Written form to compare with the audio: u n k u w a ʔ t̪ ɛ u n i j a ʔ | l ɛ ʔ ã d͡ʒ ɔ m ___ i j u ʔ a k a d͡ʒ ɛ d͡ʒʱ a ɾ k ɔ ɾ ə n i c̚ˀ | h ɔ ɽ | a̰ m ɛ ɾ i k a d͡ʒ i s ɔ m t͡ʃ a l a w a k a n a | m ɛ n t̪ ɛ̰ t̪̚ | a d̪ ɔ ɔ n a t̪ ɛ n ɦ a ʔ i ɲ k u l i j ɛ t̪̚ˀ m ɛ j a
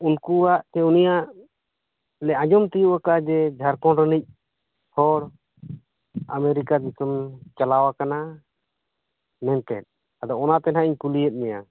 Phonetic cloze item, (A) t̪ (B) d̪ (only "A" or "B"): A